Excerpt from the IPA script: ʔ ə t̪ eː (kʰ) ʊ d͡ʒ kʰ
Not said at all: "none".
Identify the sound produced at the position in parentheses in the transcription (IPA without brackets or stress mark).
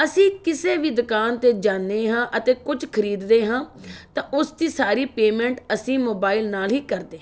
k